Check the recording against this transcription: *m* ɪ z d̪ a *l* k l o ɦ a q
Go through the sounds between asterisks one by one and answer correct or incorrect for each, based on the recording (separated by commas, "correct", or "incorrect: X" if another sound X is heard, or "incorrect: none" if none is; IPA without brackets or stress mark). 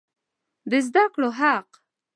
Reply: incorrect: b, incorrect: none